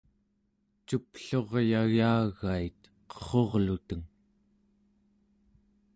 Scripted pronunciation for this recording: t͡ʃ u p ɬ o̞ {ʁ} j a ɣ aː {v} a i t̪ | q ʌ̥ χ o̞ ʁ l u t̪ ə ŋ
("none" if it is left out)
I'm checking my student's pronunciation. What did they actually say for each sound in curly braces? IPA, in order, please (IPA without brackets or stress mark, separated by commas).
ʁ, ɣ